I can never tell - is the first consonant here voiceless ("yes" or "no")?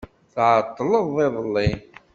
yes